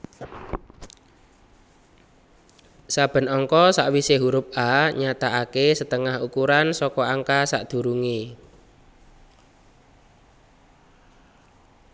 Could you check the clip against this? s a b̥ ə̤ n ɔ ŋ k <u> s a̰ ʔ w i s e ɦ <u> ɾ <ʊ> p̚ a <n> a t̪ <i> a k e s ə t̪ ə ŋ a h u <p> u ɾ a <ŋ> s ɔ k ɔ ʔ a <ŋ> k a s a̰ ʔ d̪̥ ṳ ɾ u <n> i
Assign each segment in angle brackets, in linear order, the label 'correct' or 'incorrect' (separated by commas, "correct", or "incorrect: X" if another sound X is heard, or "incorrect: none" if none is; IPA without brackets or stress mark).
incorrect: ɔ, correct, correct, incorrect: ɲ, incorrect: a, incorrect: k, incorrect: n, correct, incorrect: ŋ